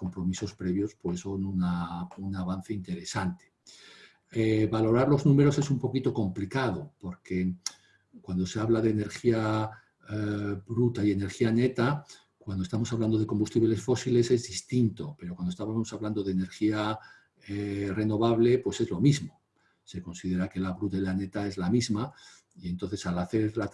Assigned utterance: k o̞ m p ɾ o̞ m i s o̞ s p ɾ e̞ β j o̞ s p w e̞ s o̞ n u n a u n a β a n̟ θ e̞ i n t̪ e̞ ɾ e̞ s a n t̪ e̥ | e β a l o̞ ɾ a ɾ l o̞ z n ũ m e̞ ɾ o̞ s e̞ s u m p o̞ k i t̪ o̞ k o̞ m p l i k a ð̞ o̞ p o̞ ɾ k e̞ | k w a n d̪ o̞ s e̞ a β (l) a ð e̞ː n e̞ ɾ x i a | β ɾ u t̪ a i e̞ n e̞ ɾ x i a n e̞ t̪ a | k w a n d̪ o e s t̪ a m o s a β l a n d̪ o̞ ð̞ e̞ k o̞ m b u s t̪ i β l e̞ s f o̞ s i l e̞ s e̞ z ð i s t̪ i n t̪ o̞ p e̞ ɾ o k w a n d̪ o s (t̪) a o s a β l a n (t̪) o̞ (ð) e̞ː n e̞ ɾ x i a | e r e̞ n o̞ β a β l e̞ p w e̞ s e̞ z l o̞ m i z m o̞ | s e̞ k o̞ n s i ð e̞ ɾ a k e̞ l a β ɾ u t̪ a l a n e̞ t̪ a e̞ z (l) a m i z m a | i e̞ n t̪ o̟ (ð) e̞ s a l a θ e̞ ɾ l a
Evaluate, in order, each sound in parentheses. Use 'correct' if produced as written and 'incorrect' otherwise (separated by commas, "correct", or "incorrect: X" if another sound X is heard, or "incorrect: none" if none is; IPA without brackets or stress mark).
correct, correct, incorrect: d̪, correct, correct, incorrect: θ